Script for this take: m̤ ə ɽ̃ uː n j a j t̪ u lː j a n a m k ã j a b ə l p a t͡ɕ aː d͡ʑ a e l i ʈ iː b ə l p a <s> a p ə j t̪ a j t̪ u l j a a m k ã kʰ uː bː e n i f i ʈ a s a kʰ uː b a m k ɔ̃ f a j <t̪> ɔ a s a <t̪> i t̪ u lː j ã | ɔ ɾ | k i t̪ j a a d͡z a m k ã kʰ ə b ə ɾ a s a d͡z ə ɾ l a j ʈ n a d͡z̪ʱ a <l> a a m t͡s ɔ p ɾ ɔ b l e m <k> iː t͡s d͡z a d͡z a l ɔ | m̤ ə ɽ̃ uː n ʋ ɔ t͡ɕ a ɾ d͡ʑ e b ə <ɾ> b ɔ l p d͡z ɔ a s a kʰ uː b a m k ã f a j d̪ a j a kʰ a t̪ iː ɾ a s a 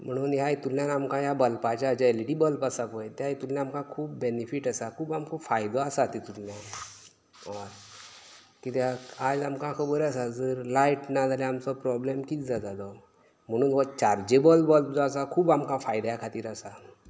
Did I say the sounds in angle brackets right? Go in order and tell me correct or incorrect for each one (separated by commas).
correct, incorrect, correct, correct, correct, incorrect